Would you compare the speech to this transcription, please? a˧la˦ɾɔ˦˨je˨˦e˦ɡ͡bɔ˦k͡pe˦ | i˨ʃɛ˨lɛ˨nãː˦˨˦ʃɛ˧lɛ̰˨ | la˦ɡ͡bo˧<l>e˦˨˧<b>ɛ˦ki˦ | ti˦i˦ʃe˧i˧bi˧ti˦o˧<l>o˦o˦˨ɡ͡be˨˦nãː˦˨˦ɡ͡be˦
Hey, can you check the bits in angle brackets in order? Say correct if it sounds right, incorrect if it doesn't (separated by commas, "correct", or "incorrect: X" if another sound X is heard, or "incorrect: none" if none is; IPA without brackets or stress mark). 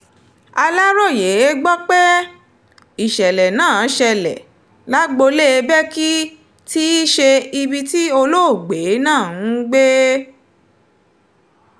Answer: correct, correct, correct